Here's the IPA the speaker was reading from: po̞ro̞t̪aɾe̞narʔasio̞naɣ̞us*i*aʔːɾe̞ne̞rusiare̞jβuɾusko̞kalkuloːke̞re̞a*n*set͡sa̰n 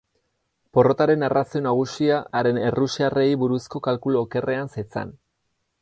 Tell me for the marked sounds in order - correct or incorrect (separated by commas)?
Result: correct, correct